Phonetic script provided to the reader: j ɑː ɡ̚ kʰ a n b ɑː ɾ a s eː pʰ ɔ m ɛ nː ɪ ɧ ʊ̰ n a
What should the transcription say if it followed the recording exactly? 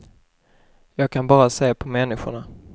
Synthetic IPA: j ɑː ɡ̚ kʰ a n b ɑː ɾ a s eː pʰ ɔ m ɛ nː ɪ ɧ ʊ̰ ɳ a